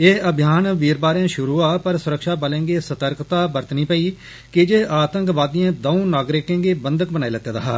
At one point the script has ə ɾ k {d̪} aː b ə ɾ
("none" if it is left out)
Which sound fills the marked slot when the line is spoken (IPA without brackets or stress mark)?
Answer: t̪